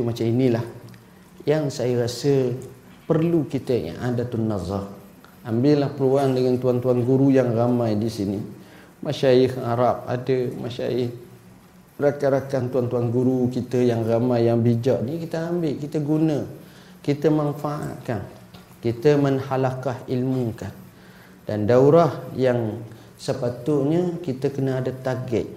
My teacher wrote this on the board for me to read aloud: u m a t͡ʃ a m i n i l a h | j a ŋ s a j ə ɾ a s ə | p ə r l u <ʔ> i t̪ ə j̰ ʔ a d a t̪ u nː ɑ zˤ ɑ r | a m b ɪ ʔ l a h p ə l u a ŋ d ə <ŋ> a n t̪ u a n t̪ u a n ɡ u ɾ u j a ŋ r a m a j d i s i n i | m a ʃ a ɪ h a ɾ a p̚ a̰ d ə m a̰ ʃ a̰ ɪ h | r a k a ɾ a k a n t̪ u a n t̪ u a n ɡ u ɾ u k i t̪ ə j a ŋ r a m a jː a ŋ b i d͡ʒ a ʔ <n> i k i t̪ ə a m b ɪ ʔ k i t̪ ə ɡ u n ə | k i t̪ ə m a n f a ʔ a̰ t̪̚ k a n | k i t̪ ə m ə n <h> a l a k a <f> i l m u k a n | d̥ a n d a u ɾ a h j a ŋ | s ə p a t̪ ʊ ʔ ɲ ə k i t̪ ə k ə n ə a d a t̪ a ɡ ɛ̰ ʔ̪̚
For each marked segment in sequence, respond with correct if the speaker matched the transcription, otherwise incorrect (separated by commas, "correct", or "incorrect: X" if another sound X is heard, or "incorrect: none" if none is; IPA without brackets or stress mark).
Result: incorrect: k, correct, correct, correct, incorrect: h